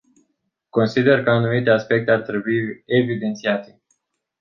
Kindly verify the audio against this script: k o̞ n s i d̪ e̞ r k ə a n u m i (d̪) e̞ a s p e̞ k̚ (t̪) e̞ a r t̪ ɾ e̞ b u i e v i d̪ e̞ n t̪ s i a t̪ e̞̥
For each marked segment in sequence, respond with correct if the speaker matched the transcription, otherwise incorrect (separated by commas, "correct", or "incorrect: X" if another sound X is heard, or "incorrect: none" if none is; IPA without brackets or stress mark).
incorrect: t̪, correct